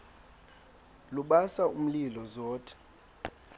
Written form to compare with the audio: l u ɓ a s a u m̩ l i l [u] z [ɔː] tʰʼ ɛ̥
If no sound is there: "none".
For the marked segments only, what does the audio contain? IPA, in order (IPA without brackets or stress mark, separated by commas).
ɔ, ɔː